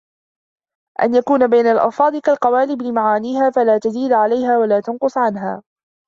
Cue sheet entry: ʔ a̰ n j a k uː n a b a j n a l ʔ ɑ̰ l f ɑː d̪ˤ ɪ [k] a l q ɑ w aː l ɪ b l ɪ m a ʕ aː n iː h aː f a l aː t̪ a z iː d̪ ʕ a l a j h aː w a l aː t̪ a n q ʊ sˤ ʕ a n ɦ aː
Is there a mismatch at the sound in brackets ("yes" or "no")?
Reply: no